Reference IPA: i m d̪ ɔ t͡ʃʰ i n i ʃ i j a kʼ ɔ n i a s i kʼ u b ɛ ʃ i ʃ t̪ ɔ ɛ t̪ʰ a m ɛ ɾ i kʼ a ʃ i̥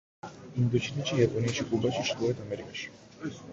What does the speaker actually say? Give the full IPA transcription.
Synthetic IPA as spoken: i m d̪ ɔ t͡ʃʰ i n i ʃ i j a pʼ ɔ n i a ʃ i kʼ u b a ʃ i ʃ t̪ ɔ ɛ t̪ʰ a m ɛ ɾ i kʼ a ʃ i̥